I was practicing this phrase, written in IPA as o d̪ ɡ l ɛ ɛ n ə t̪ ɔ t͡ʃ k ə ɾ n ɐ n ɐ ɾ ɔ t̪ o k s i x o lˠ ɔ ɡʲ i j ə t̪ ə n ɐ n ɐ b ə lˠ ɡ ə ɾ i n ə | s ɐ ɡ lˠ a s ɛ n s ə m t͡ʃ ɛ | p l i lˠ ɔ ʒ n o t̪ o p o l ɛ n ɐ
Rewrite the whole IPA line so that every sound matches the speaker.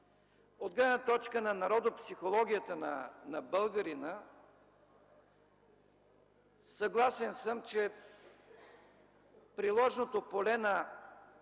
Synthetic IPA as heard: o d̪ ɡ l ɛ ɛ n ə t̪ ɔ t͡ʃ k ə n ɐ n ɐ ɾ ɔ d̪ o p s i x o lˠ ɔ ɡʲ i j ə t̪ ə n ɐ n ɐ b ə lˠ ɡ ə ɾ i n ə | s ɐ ɡ lˠ a s ɛ n s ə m t͡ʃ ɛ | p ɾ i lˠ ɔ ʒ n o t̪ o p o l ɛ n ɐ